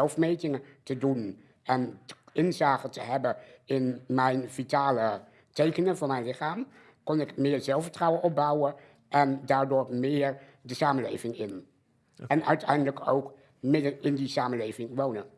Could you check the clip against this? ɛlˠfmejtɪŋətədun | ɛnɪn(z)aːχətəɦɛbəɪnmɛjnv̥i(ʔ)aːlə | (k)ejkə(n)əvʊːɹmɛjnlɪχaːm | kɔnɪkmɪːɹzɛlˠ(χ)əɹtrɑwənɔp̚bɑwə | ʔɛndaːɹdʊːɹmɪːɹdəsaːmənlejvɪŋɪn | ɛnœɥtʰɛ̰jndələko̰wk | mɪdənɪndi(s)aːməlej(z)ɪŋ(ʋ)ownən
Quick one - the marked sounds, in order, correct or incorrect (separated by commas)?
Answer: correct, incorrect, incorrect, correct, incorrect, correct, incorrect, correct